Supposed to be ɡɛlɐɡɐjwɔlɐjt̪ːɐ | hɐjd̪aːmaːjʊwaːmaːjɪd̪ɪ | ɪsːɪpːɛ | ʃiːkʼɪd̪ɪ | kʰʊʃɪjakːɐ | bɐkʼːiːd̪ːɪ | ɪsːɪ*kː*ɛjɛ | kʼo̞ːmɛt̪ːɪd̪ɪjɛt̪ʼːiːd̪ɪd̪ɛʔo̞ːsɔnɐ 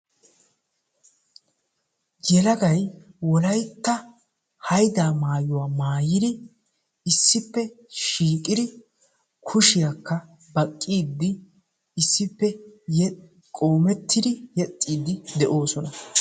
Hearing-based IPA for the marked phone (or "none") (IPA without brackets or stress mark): pː